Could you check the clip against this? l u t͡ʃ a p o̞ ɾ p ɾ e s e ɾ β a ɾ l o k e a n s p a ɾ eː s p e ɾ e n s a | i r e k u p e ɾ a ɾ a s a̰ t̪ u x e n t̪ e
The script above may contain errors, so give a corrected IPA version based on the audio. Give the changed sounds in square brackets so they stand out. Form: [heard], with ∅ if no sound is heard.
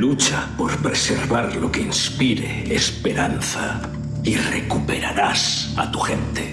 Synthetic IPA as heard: l u t͡ʃ a p o̞ ɾ p ɾ e s e ɾ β a ɾ l o k e [i] n s p [i] ɾ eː s p e ɾ [a] n [θ] a | i r e k u p e ɾ a ɾ a s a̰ t̪ u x e n t̪ e